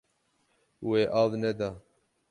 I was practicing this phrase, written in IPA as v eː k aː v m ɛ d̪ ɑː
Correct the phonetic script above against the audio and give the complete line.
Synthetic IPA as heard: w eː ʔ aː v n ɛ d̪ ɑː